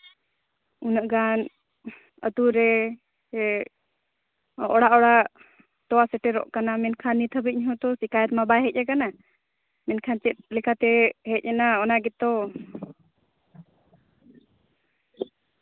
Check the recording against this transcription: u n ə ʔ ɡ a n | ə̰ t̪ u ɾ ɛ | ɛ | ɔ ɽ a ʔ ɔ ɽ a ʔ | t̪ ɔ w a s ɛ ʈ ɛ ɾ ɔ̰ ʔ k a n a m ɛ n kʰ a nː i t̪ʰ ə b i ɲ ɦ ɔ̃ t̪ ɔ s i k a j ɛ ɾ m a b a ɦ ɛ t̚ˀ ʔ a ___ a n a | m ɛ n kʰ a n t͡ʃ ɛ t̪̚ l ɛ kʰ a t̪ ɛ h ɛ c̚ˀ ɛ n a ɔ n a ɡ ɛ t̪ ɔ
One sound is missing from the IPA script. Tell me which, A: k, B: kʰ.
A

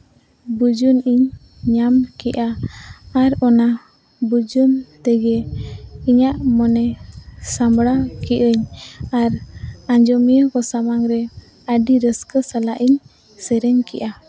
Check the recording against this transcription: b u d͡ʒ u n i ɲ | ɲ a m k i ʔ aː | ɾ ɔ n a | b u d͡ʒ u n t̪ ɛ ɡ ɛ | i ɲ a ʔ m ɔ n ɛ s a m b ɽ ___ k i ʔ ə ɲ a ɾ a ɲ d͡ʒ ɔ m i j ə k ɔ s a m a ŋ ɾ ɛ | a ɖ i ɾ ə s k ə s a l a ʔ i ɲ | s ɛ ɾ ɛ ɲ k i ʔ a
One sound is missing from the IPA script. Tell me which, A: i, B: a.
B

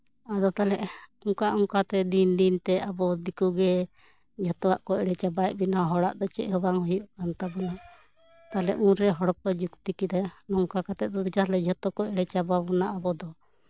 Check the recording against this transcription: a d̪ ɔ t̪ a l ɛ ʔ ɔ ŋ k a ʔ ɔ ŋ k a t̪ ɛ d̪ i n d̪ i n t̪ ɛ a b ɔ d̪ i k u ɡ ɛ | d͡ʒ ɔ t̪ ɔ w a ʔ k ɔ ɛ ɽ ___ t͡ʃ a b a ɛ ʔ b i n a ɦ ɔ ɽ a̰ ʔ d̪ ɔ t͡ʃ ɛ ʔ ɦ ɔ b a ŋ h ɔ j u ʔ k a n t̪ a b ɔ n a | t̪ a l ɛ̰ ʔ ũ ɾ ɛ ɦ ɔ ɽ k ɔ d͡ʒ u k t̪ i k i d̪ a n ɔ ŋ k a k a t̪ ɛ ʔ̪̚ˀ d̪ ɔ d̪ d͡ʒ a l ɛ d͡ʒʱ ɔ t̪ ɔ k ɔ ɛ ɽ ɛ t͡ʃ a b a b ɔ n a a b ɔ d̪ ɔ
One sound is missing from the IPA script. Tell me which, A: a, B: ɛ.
B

